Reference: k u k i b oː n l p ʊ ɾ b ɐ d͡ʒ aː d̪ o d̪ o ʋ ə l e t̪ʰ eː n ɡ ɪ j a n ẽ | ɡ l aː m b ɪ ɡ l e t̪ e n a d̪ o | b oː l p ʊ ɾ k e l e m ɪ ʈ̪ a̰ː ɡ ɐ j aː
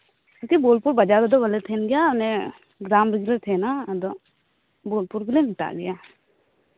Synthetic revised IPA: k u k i b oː l p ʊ ɾ b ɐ d͡ʒ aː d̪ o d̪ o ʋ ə l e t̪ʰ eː n ɡ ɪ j a n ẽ | ɡ ɾ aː m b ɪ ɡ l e t̪ʰ e n a d̪ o | b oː l p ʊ ɾ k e l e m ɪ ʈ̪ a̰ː ɡ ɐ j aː